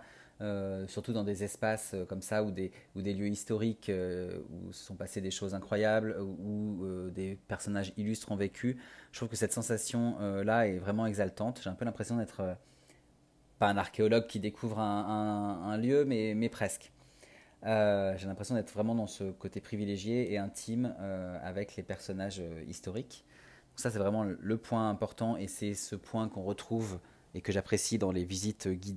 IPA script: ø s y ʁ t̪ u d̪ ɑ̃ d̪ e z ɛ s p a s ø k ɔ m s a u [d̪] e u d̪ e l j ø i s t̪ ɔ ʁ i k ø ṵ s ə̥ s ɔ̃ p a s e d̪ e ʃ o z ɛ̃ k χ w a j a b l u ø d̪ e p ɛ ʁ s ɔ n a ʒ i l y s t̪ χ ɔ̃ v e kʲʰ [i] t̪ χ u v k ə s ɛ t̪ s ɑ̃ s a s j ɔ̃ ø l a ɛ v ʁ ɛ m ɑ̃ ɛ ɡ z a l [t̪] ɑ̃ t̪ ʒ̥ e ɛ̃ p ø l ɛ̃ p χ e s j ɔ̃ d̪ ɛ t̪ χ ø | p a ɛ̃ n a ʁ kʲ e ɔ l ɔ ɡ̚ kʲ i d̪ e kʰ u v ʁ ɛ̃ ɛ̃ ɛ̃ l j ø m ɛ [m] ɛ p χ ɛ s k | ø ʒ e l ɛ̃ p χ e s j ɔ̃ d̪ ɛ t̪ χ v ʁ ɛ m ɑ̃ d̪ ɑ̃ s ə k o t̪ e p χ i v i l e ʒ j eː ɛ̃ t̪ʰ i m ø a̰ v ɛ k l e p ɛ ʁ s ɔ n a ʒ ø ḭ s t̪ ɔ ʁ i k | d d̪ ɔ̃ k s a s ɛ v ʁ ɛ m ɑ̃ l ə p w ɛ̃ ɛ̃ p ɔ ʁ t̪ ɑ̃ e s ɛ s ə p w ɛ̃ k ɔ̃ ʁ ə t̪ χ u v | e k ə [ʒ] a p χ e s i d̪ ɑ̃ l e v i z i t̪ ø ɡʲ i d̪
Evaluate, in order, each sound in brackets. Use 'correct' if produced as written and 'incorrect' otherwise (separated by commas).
correct, incorrect, correct, correct, correct